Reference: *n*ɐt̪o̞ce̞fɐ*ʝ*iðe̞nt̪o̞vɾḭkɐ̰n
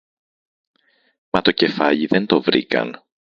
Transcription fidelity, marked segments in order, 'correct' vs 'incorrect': incorrect, incorrect

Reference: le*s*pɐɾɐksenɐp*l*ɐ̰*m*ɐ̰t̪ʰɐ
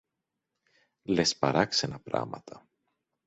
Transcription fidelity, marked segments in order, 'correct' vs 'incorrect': correct, incorrect, correct

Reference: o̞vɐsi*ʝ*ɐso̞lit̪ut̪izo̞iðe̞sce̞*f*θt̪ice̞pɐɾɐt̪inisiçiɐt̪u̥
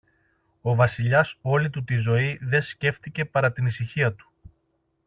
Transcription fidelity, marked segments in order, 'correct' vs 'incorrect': incorrect, correct

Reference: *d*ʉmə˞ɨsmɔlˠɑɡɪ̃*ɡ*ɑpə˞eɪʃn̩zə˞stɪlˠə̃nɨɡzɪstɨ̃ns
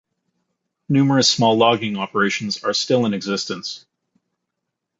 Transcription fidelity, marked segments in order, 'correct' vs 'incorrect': incorrect, incorrect

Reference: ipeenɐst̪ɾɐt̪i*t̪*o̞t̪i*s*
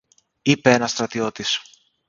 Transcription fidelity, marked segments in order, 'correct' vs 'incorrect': incorrect, correct

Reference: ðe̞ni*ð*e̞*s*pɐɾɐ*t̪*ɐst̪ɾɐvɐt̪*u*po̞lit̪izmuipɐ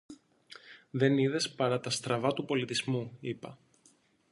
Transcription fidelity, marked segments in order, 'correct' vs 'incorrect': correct, correct, correct, correct

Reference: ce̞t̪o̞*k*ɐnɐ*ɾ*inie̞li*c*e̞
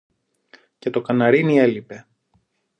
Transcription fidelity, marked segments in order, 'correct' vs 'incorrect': correct, correct, incorrect

